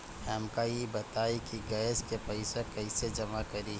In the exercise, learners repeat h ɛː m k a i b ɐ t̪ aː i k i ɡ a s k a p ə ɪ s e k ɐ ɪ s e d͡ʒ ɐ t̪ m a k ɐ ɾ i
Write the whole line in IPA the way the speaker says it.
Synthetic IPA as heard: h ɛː m k a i b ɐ t̪ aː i k i ɡ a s k e p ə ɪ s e k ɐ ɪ s e d͡ʒ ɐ m a k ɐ ɾ i